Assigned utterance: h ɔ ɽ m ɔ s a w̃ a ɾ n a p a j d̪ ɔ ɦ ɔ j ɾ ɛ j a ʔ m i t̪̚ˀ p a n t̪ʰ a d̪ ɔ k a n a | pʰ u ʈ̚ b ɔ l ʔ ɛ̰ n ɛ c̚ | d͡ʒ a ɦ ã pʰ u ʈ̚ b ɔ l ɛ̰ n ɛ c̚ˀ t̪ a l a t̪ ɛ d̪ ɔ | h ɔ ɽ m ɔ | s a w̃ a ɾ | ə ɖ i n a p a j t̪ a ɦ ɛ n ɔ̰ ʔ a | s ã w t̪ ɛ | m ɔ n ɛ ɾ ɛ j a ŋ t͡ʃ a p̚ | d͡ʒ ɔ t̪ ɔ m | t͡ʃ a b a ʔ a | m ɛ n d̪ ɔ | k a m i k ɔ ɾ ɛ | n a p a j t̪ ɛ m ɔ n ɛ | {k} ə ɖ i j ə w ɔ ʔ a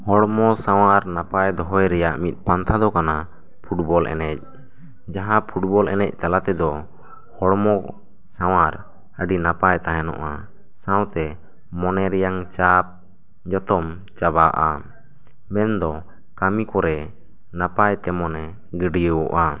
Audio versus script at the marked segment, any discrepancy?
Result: yes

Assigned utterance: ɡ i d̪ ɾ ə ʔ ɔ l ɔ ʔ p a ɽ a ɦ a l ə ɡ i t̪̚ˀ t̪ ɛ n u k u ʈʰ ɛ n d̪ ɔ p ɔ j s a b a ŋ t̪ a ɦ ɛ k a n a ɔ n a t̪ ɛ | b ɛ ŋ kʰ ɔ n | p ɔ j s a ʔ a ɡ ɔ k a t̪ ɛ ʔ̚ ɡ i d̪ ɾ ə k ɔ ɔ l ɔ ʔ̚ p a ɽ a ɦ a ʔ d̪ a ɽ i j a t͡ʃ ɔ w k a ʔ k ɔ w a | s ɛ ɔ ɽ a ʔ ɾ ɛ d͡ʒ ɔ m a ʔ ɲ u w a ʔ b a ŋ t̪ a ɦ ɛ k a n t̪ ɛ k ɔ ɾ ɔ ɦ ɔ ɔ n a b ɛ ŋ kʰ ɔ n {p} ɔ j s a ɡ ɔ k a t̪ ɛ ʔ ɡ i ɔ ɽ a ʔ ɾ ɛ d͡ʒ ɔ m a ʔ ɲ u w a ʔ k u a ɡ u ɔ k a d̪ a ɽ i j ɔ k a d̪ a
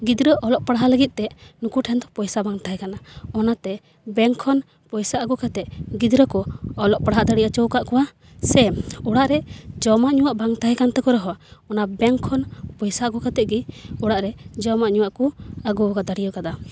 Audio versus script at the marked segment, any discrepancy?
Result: no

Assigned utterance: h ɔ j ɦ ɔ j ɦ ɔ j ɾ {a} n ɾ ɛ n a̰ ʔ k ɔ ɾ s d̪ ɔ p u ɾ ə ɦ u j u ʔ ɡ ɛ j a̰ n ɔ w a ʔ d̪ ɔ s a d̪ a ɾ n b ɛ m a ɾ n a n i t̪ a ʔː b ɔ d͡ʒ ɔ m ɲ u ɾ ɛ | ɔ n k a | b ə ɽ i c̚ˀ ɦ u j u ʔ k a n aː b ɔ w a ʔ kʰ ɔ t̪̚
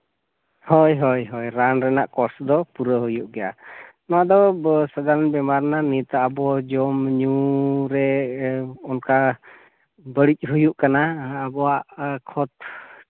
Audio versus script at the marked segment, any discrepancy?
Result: no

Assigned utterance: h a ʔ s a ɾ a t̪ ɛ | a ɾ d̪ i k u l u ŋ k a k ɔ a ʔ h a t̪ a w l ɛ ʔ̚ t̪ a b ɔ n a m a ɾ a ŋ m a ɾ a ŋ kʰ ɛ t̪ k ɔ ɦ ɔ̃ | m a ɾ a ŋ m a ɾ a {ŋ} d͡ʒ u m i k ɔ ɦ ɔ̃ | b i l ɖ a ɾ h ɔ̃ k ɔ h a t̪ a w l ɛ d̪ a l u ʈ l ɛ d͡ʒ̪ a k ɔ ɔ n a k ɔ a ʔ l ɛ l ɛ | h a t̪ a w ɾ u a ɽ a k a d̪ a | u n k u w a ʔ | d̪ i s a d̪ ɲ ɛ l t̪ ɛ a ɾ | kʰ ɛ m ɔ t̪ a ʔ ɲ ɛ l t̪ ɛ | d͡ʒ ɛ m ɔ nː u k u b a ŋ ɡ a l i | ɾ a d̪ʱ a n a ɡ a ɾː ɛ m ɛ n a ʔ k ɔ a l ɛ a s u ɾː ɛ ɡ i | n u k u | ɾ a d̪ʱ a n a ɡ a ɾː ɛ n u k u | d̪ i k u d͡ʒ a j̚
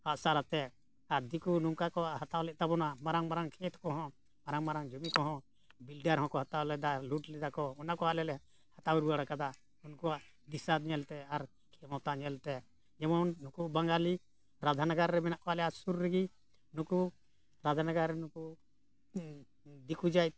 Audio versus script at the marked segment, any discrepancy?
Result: no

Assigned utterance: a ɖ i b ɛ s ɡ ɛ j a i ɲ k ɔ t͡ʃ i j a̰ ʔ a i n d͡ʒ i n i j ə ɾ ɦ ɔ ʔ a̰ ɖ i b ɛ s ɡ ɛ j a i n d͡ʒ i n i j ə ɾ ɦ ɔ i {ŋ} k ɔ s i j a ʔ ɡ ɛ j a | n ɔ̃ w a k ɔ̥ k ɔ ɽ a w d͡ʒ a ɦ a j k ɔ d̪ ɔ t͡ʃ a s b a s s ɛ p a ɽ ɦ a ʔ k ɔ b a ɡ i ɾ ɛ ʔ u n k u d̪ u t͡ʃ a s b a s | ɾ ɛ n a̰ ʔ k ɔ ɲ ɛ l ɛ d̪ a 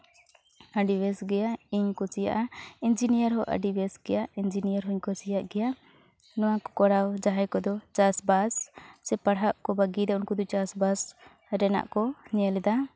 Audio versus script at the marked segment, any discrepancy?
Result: yes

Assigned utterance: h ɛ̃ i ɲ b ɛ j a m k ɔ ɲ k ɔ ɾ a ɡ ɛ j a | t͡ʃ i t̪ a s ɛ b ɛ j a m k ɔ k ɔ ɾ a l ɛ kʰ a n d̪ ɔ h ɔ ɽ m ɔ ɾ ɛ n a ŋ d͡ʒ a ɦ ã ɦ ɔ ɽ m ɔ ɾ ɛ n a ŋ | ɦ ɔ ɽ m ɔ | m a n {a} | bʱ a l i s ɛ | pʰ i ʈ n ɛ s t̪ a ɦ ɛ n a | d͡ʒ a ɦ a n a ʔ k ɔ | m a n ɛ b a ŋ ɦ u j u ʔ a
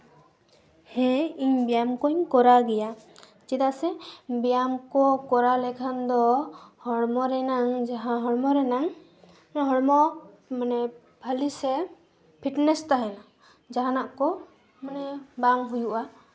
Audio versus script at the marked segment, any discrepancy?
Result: yes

